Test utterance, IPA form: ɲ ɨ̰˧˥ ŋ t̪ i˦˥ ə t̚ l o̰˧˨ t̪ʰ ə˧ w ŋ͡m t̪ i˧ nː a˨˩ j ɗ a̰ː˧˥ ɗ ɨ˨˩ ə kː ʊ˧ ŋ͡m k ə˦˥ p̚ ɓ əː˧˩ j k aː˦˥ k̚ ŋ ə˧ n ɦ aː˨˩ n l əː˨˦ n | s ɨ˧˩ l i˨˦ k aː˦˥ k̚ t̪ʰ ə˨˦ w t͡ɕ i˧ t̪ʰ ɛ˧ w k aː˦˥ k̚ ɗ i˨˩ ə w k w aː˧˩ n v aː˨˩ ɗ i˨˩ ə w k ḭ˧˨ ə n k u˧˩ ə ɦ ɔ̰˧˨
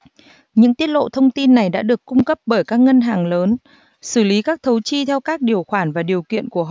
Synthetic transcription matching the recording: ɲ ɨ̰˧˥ ŋ t̪ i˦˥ ə t̚ l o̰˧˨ t̪ʰ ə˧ w ŋ͡m t̪ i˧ nː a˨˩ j ɗ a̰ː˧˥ ɗ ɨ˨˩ ə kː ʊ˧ ŋ͡m k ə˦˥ p̚ ɓ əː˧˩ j k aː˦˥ k̚ ŋ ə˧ n ɦ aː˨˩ ŋ l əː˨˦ n | s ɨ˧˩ l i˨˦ k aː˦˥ k̚ t̪ʰ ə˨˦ w t͡ɕ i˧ t̪ʰ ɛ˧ w k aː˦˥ k̚ ɗ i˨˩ ə w x w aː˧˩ n v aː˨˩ ɗ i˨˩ ə w k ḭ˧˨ ə n k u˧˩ ə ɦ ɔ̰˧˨